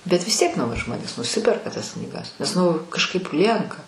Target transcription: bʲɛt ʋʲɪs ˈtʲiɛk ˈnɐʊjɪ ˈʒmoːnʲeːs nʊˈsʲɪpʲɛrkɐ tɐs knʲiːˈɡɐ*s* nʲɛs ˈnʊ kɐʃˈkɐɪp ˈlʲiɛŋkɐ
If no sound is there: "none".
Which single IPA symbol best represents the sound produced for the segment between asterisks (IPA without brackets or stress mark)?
s